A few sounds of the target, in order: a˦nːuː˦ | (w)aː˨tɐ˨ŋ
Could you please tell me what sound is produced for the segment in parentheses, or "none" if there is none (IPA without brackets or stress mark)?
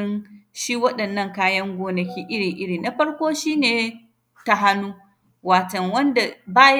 w